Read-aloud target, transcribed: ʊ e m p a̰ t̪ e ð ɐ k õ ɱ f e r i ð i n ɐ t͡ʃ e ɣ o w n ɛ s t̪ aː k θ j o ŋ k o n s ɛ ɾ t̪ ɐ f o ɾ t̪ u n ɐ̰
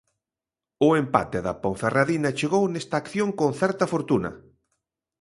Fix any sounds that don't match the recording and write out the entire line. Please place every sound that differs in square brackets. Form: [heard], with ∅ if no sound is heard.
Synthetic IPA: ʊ e m p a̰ t̪ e ð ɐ [p] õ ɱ f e r [a] ð i n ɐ t͡ʃ e ɣ o w n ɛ s t̪ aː k θ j o ŋ k o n [θ] ɛ ɾ t̪ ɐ f o ɾ t̪ u n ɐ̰